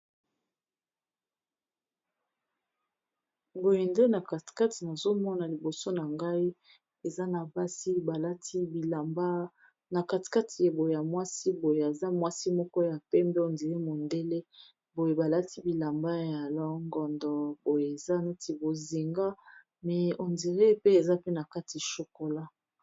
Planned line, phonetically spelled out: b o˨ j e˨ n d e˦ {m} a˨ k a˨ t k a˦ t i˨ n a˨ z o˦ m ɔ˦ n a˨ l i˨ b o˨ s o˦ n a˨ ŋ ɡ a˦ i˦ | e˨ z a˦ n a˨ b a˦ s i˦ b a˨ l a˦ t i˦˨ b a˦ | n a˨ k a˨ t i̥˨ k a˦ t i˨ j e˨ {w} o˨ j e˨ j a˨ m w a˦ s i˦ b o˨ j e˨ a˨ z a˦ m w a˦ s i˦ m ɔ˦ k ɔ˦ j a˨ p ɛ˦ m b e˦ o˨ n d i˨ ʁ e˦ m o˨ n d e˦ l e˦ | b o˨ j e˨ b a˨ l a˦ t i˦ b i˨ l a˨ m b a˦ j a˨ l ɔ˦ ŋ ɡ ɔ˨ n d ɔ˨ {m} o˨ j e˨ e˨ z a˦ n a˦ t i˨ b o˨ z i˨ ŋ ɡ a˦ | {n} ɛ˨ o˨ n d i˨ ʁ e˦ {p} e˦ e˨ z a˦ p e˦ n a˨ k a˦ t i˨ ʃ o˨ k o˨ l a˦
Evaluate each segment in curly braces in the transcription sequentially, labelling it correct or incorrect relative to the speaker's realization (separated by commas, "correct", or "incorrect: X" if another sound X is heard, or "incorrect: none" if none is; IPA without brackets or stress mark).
incorrect: n, incorrect: b, incorrect: b, incorrect: m, correct